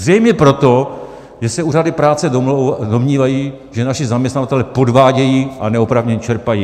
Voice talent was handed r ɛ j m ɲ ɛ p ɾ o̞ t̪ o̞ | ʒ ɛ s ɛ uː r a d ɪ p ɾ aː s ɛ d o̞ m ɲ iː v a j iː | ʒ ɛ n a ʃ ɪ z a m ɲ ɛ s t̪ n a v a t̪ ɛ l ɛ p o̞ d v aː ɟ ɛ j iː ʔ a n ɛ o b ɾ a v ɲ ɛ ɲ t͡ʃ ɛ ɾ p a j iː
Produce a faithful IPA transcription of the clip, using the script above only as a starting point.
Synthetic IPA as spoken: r ɛ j m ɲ ɛ p ɾ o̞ t̪ o̞ | ʒ ɛ s ɛ uː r a d ɪ p ɾ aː t͡s ɛ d o̞ m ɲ iː v a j iː | ʒ ɛ n a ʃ ɪ z a m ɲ ɛ s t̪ n a v a t̪ ɛ l ɛ p o̞ d v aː ɟ ɛ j iː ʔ a n ɛ o p ɾ a v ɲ ɛ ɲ t͡ʃ ɛ ɾ p a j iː